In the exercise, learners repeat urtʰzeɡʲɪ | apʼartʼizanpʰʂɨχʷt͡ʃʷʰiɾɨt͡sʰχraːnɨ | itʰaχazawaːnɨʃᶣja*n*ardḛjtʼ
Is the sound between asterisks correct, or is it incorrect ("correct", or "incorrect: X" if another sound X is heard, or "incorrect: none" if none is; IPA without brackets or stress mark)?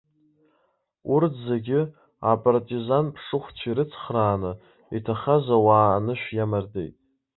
incorrect: m